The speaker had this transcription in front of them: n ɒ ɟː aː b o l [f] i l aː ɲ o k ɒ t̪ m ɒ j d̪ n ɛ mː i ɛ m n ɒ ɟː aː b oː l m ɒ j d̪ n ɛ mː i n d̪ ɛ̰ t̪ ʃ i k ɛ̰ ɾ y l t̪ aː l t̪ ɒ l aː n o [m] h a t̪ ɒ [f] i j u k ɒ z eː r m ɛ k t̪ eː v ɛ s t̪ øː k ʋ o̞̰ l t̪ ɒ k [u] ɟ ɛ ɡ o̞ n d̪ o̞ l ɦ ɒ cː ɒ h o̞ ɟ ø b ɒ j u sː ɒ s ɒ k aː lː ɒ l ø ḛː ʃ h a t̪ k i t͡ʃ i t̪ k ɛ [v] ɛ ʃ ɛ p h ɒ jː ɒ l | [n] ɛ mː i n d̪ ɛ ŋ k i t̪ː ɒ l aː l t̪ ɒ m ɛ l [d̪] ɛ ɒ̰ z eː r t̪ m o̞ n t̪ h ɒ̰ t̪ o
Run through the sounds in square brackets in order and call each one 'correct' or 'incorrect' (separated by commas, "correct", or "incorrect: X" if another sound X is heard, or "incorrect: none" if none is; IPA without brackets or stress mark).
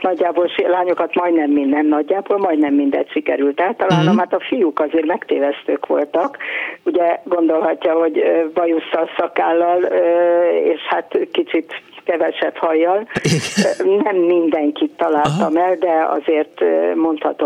incorrect: ʃ, correct, correct, correct, correct, correct, correct